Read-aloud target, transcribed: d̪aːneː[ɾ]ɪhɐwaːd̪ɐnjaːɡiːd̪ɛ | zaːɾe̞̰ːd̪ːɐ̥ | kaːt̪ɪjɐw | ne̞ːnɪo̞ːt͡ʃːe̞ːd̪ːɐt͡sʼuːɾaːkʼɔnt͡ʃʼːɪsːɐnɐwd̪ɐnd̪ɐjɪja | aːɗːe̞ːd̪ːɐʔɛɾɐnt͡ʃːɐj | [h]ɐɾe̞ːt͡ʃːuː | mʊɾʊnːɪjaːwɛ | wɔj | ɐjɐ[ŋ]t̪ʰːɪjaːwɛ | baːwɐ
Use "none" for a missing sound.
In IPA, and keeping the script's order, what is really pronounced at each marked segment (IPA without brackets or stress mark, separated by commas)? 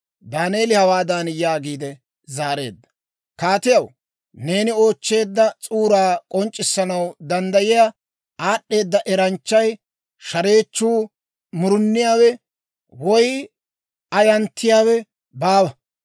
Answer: l, ʃ, n